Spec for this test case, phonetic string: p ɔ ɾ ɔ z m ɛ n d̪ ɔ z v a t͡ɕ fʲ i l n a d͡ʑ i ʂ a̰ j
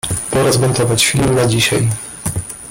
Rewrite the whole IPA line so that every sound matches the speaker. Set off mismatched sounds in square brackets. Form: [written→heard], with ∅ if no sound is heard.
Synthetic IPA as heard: p ɔ ɾ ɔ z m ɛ n [d̪→t̪] ɔ [z→∅] v a t͡ɕ fʲ i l n a d͡ʑ i [ʂ→ɕ] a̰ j